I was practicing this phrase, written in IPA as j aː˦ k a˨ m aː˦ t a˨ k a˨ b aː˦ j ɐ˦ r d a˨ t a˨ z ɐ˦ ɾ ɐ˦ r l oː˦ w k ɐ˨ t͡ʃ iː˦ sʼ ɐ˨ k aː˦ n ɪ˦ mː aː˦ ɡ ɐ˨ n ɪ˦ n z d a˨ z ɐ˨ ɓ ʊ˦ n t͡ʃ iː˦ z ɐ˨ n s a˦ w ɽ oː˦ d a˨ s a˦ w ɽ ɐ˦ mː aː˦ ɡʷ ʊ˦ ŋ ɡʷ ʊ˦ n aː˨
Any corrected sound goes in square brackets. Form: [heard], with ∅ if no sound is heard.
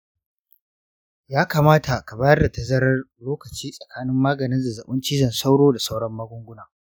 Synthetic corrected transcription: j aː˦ k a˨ m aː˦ t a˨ k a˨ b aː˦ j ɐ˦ r d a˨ t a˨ z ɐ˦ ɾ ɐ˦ r l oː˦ [∅] k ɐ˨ t͡ʃ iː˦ sʼ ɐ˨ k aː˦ n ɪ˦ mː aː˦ ɡ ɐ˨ n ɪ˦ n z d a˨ z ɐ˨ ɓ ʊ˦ n t͡ʃ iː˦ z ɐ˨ n s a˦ w ɽ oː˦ d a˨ s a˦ w ɽ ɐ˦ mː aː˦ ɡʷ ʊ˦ ŋ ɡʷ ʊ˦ n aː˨